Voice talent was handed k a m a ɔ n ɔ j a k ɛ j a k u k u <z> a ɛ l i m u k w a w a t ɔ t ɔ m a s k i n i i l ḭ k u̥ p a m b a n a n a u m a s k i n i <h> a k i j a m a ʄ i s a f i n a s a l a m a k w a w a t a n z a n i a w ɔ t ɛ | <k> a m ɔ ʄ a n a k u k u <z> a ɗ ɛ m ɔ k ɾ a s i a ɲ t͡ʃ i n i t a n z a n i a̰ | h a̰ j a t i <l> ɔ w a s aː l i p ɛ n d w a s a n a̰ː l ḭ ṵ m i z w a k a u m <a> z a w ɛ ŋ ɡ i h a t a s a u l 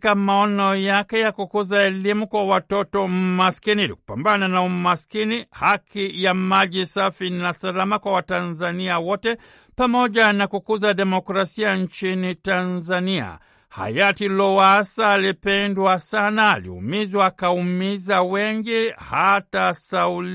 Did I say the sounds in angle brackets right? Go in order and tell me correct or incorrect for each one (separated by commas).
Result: correct, correct, incorrect, correct, correct, incorrect